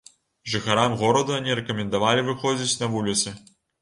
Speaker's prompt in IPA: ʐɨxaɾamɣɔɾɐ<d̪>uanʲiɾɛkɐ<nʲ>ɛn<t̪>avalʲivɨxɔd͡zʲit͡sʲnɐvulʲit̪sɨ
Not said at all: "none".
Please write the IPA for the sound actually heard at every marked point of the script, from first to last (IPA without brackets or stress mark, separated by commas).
d̪, mʲ, d̪